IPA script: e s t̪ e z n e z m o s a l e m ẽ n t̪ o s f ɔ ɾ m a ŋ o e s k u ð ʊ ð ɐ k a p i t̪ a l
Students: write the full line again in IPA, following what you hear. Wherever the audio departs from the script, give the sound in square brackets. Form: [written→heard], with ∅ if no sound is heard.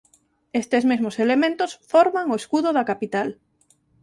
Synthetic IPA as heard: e s t̪ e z [n→m] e z m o s [a→e] l e m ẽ n t̪ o s f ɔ ɾ m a ŋ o e s k u ð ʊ ð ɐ k a p i t̪ a l